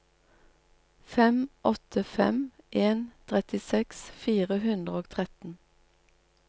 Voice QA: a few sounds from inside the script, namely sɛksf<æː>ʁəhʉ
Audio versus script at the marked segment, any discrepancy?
yes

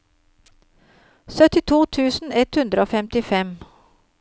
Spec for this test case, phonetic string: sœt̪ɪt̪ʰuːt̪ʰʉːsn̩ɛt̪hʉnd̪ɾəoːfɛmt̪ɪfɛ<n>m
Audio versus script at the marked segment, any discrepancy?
yes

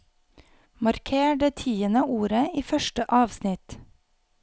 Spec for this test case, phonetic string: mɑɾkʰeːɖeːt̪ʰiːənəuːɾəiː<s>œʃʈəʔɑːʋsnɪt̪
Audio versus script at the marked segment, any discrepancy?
yes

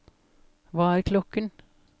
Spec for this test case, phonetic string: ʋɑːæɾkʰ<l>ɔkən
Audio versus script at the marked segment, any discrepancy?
no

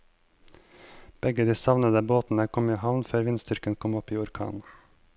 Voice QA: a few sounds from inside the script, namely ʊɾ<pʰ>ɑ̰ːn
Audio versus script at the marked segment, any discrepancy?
yes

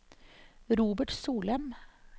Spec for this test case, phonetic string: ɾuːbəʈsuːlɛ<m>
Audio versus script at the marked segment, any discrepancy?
no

